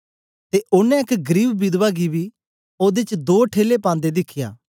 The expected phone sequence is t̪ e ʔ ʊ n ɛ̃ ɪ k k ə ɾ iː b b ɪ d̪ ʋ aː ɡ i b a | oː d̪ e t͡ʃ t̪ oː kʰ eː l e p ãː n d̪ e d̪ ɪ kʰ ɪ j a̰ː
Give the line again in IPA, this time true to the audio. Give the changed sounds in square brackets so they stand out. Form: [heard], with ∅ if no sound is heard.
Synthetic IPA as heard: t̪ e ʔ ʊ n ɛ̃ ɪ k [ɡ] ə ɾ iː b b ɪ d̪ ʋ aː ɡ i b [i] | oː d̪ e t͡ʃ [d̪] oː [ʈʰ] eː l e p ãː n d̪ e d̪ ɪ kʰ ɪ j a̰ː